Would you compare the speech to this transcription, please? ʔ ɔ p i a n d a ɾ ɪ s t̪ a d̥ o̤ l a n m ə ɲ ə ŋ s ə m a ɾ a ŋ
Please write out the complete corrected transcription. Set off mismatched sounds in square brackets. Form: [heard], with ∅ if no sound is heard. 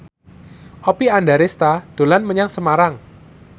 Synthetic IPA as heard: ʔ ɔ p i a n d a ɾ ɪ s t̪ a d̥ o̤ l a n m ə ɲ [a] ŋ s ə m a ɾ a ŋ